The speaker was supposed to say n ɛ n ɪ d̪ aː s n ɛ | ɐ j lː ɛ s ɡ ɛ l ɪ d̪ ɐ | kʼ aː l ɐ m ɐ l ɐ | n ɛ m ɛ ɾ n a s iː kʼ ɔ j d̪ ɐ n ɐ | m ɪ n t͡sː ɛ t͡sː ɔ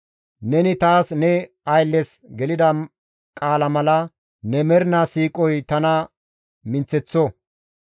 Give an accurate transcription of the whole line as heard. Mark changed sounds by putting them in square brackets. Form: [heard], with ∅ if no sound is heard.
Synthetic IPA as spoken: n ɛ n ɪ [t̪] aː s n ɛ | ɐ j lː ɛ s ɡ ɛ l ɪ d̪ ɐ | kʼ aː l ɐ m ɐ l ɐ | n ɛ m ɛ ɾ n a s iː kʼ ɔ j [t̪] ɐ n ɐ | m ɪ n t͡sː ɛ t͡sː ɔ

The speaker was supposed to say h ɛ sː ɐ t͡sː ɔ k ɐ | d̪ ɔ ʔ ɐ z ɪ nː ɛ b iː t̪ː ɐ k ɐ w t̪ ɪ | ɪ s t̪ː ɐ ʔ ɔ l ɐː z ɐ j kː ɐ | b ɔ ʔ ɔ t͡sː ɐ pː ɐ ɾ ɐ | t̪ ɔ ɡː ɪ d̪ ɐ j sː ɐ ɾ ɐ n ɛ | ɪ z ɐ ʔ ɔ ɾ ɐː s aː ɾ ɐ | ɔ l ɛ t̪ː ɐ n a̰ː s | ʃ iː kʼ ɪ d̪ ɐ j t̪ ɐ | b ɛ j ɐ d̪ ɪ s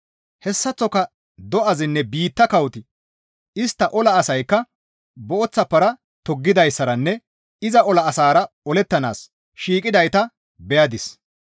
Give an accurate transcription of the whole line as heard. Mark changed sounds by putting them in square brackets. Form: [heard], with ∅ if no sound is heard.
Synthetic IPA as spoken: h ɛ sː ɐ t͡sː ɔ k ɐ | d̪ ɔ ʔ ɐ z ɪ nː ɛ b iː t̪ː ɐ k ɐ w t̪ ɪ | ɪ s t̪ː ɐ ʔ ɔ l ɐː [s] ɐ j kː ɐ | b ɔ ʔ ɔ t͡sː ɐ pː ɐ ɾ ɐ | t̪ ɔ ɡː ɪ d̪ ɐ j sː ɐ ɾ ɐ [nː] ɛ | ɪ z ɐ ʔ ɔ [l] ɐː s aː ɾ ɐ | ɔ l ɛ t̪ː ɐ n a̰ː s | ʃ iː kʼ ɪ d̪ ɐ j t̪ ɐ | b ɛ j ɐ d̪ ɪ s

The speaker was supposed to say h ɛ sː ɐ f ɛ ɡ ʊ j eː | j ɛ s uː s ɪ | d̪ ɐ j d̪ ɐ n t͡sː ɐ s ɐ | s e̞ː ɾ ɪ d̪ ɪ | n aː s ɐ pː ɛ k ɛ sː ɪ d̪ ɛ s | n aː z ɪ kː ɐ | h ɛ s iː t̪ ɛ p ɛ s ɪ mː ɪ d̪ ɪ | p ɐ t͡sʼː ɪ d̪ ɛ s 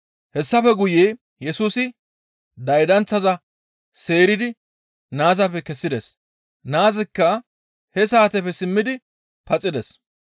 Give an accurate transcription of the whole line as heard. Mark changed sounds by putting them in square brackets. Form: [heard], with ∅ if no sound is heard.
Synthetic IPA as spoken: h ɛ sː ɐ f ɛ ɡ ʊ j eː | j ɛ s uː s ɪ | d̪ ɐ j d̪ ɐ n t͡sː ɐ [z] ɐ | s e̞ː ɾ ɪ d̪ ɪ | n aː [z] ɐ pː ɛ k ɛ sː ɪ d̪ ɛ s | n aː z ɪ kː ɐ | h ɛ s [aː] t̪ ɛ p ɛ s ɪ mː ɪ d̪ ɪ | p ɐ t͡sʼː ɪ d̪ ɛ s

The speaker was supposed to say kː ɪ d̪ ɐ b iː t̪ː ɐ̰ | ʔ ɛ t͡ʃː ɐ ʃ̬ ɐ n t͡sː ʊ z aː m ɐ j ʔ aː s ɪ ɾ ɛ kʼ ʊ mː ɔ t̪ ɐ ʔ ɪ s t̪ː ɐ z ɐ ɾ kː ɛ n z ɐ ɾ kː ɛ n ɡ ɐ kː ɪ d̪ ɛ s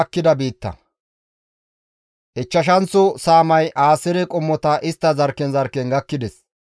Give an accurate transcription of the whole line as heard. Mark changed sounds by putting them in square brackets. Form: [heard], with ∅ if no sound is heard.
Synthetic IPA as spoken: kː ɪ d̪ ɐ b iː t̪ː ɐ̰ | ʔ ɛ t͡ʃː ɐ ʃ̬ ɐ n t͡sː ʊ [s] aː m ɐ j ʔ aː s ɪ ɾ ɛ kʼ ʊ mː ɔ t̪ ɐ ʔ ɪ s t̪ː ɐ z ɐ ɾ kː ɛ n z ɐ ɾ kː ɛ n ɡ ɐ kː ɪ d̪ ɛ s

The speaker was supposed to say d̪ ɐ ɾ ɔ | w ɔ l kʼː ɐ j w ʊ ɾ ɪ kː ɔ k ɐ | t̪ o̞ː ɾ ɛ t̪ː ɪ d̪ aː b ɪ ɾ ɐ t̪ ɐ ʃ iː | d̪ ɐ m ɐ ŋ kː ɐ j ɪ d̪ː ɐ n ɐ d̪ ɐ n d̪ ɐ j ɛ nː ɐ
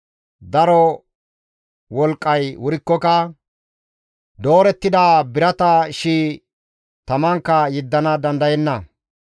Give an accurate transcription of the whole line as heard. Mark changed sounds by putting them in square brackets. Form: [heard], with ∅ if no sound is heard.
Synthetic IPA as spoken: d̪ ɐ ɾ ɔ | w ɔ l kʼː ɐ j w ʊ ɾ ɪ kː ɔ k ɐ | [d̪] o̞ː ɾ ɛ t̪ː ɪ d̪ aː b ɪ ɾ ɐ t̪ ɐ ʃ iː | [t̪] ɐ m ɐ ŋ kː ɐ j ɪ d̪ː ɐ n ɐ d̪ ɐ n d̪ ɐ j ɛ nː ɐ

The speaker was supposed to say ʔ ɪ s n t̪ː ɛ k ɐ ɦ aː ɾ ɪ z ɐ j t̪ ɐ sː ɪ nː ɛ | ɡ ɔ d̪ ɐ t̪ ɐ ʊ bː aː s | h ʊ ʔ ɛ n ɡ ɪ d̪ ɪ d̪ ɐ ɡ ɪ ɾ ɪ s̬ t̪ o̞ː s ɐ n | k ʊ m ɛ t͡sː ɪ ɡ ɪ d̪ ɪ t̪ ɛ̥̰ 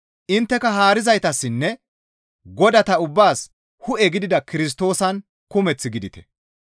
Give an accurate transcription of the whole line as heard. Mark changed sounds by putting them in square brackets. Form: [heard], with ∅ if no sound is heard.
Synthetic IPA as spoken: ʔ ɪ [∅] n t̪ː ɛ k ɐ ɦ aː ɾ ɪ z ɐ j t̪ ɐ sː ɪ nː ɛ | ɡ ɔ d̪ ɐ t̪ ɐ ʊ bː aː s | h ʊ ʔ ɛ [∅] ɡ ɪ d̪ ɪ d̪ ɐ [k] ɪ ɾ ɪ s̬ t̪ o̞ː s ɐ n | k ʊ m ɛ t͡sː ɪ ɡ ɪ d̪ ɪ t̪ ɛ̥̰

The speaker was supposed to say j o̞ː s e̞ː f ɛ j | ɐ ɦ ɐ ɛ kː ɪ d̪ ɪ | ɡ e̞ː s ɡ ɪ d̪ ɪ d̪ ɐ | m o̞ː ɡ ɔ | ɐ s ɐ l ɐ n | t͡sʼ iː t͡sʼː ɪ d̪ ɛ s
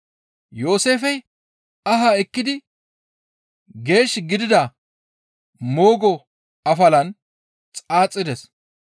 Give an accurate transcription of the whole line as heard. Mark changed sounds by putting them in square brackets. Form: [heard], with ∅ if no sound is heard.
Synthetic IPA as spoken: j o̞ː s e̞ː f ɛ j | ɐ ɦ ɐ ɛ kː ɪ d̪ ɪ | ɡ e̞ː [ʃ] ɡ ɪ d̪ ɪ d̪ ɐ | m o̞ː ɡ ɔ | ɐ [f] ɐ l ɐ n | t͡sʼ [aː] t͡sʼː ɪ d̪ ɛ s

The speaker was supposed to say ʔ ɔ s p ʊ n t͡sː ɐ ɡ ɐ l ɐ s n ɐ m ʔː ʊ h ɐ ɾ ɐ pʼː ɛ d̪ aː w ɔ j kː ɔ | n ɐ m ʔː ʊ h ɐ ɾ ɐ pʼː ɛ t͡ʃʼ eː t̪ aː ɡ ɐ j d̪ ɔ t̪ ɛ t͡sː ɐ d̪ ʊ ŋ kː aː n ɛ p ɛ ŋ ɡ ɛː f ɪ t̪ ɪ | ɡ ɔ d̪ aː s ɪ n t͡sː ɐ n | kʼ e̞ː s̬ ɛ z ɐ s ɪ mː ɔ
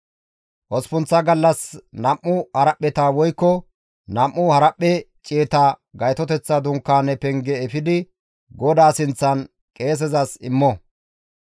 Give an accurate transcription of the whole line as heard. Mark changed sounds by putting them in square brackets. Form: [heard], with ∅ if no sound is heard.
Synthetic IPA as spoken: ʔ ɔ s p ʊ n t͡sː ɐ ɡ ɐ [lː] ɐ s n ɐ m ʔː ʊ h ɐ ɾ ɐ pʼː ɛ [t̪] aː w ɔ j kː ɔ | n ɐ m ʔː ʊ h ɐ ɾ ɐ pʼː ɛ t͡ʃʼ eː t̪ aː ɡ ɐ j [t̪] ɔ t̪ ɛ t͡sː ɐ d̪ ʊ ŋ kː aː n ɛ p ɛ ŋ ɡ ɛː f ɪ [d̪] ɪ | ɡ ɔ d̪ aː s ɪ n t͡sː ɐ n | kʼ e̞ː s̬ ɛ z ɐ s ɪ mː ɔ

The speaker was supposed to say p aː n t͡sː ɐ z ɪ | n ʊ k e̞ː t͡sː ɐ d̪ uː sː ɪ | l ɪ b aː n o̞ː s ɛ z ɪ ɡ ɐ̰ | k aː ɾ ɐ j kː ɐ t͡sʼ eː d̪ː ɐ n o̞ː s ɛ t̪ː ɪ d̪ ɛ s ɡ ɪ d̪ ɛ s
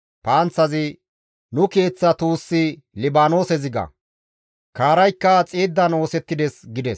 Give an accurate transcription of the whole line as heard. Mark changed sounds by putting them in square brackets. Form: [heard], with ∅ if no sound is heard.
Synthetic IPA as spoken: p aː n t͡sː ɐ z ɪ | n ʊ k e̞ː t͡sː ɐ [t̪] uː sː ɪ | l ɪ b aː n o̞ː s ɛ z ɪ ɡ ɐ̰ | k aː ɾ ɐ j kː ɐ t͡sʼ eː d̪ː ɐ n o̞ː s ɛ t̪ː ɪ d̪ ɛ s ɡ ɪ d̪ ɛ s

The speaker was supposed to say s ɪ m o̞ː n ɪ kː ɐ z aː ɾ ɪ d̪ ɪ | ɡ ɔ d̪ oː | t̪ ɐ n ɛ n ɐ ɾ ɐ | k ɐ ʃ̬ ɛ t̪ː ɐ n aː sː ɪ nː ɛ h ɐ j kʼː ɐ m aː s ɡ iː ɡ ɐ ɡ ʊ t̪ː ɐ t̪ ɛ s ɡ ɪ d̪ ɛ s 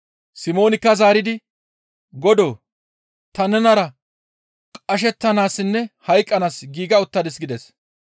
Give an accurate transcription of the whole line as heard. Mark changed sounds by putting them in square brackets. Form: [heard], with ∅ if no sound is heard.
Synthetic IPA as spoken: s ɪ m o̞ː n ɪ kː ɐ z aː ɾ ɪ d̪ ɪ | ɡ ɔ d̪ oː | t̪ ɐ n ɛ n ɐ ɾ ɐ | [kʼ] ɐ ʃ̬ ɛ t̪ː ɐ n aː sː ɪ nː ɛ h ɐ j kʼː ɐ [n] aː s ɡ iː ɡ ɐ [∅] ʊ t̪ː ɐ [d̪] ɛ s ɡ ɪ d̪ ɛ s

